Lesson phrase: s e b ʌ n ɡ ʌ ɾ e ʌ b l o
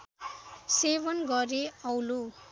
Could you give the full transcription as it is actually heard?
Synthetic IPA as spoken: s e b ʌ n ɡ ʌ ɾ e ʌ w l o